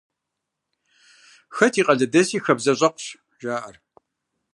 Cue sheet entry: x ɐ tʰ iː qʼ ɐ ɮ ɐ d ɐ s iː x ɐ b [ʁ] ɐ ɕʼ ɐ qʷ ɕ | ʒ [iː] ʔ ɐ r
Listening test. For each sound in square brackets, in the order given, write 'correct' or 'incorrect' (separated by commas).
incorrect, incorrect